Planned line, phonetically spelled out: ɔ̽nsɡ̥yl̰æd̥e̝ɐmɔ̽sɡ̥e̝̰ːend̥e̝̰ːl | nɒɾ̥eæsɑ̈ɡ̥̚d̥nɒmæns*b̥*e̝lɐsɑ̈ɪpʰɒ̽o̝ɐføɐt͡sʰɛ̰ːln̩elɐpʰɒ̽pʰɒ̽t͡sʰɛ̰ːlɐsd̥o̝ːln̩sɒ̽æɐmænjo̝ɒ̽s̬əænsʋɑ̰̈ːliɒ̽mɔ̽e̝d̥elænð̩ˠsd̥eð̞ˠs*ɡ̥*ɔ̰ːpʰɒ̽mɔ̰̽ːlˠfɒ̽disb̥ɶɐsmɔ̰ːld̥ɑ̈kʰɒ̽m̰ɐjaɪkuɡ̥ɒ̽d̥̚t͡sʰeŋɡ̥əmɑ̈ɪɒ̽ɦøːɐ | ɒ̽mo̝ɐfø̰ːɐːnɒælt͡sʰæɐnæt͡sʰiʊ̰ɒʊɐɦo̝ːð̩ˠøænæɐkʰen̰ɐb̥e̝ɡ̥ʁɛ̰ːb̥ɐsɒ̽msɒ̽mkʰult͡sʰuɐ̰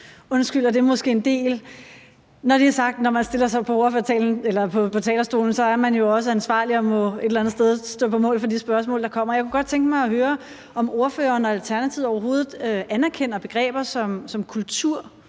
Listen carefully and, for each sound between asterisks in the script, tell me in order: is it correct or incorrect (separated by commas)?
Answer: incorrect, incorrect